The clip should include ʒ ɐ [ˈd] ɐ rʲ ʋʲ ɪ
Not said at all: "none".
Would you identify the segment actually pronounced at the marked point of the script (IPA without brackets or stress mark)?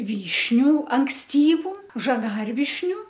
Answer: ɡ